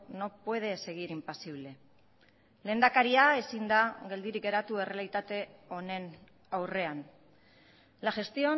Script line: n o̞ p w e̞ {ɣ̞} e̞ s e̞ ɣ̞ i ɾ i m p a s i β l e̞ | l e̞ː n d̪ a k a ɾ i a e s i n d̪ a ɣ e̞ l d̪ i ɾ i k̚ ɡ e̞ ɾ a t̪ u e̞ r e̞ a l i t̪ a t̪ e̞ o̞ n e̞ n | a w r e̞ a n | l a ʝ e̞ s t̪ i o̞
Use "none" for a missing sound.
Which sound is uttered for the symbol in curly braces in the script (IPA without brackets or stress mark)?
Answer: ð̞